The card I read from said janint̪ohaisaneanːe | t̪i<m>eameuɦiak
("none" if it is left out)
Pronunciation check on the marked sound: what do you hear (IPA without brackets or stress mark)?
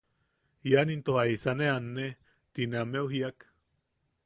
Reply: n